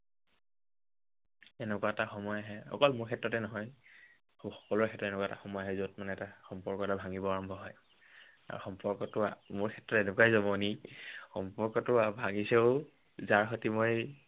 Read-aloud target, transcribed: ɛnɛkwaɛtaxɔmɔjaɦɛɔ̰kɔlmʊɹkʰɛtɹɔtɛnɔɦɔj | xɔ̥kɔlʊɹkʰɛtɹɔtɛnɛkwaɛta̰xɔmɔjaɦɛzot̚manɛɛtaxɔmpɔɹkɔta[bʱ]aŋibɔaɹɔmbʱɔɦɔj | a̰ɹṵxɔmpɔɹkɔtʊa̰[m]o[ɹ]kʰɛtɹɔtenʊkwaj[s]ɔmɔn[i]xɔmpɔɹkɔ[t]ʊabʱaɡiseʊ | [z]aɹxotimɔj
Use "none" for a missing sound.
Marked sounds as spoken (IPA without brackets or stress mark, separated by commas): bʱ, m, ɹ, z, i, t, z